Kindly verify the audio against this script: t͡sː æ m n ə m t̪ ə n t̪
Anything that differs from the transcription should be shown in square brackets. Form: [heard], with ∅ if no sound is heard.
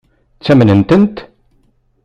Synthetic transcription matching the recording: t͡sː æ m n ə [n] t̪ ə n t̪